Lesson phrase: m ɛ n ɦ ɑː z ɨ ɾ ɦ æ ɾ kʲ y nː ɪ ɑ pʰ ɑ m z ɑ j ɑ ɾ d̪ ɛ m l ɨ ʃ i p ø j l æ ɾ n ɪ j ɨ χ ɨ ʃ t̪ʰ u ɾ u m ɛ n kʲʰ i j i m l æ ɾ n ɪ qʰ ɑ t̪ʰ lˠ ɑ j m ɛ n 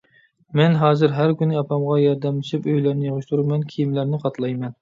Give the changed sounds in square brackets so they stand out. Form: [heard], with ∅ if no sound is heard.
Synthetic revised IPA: m ɛ n ɦ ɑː z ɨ ɾ ɦ æ ɾ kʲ y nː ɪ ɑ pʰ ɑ m [ʁ] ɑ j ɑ ɾ d̪ ɛ m l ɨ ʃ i p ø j l æ ɾ n ɪ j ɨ [ʁ] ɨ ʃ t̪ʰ u ɾ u m ɛ n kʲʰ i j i m l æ ɾ n ɪ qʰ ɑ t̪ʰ lˠ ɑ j m ɛ n